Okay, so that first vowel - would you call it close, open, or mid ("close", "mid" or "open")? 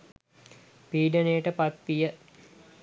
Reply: close